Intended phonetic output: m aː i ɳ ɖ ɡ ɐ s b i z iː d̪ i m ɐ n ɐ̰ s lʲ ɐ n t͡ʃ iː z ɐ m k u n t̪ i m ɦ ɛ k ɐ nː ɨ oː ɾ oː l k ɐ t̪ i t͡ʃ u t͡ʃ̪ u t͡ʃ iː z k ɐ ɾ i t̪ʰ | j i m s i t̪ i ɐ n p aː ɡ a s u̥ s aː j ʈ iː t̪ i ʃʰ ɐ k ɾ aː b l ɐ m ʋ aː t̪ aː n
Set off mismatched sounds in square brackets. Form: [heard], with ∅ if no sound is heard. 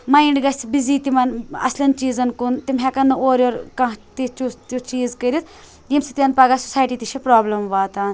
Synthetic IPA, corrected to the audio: m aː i ɳ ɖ ɡ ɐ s b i z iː [t̪] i m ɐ n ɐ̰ s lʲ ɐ n t͡ʃ iː z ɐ [n] k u n t̪ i m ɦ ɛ k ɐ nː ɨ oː ɾ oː [ɾ] k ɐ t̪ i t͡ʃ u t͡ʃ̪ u t͡ʃ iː z k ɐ ɾ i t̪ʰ | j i m s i t̪ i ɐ n p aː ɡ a s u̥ s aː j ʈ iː t̪ i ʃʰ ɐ [p] ɾ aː b l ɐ m ʋ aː t̪ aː n